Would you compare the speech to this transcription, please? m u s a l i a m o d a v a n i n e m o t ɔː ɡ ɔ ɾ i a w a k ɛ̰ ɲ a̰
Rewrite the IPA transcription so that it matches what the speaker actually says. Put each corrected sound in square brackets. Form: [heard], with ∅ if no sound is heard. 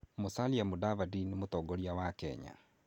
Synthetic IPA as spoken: m [o] s a l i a m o d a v a [d] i n e m o t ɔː ɡ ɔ ɾ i a w a k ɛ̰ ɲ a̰